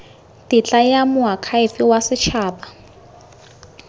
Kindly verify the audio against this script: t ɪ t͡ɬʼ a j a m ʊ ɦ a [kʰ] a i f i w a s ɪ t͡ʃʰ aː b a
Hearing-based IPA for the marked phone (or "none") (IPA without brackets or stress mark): kʰ